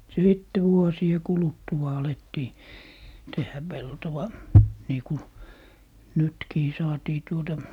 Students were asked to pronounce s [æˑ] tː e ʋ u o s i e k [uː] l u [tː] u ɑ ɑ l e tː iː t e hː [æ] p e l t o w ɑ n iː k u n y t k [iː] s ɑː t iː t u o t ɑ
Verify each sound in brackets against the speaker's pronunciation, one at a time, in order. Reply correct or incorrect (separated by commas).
incorrect, incorrect, correct, correct, correct